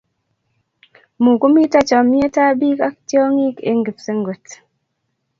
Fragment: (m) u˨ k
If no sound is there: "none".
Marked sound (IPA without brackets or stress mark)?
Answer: m